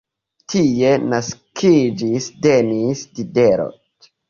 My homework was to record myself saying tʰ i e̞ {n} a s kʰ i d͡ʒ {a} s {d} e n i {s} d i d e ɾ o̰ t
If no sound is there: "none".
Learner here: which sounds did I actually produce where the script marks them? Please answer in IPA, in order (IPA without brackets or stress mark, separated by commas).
n, i, d, s